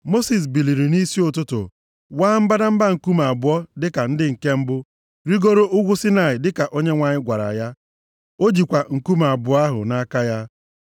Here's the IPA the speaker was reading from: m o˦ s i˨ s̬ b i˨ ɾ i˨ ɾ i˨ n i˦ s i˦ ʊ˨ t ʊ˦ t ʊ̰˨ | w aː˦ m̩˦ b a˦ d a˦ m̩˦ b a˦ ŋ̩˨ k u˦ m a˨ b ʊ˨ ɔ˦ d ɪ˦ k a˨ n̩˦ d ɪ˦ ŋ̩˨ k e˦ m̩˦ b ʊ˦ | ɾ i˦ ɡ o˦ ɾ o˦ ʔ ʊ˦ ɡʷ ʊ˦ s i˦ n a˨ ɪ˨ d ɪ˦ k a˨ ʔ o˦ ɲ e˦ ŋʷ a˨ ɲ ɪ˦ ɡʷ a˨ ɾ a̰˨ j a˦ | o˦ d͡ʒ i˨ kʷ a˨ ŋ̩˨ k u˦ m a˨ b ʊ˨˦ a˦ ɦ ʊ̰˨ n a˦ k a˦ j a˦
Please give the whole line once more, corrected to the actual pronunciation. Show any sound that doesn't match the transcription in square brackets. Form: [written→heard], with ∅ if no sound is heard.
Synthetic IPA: m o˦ s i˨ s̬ b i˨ [ɾ→l] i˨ ɾ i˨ n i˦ s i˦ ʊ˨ t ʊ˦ t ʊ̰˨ | w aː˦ m̩˦ b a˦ d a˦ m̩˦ b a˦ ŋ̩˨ k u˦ m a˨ b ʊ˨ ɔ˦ d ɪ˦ k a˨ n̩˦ d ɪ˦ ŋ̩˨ k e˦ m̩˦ b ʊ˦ | ɾ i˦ ɡ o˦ ɾ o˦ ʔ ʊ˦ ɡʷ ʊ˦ s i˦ n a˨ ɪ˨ d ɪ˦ k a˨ ʔ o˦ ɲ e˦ ŋʷ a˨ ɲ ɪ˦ ɡʷ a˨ ɾ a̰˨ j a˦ | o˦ d͡ʒ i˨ kʷ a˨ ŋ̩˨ k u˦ m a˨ b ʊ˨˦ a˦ ɦ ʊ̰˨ n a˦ k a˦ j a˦